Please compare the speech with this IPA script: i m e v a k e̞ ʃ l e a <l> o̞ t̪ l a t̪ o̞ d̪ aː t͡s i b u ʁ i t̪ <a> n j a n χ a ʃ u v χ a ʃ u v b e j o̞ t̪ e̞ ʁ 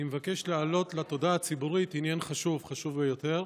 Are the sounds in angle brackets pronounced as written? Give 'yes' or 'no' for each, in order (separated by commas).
yes, no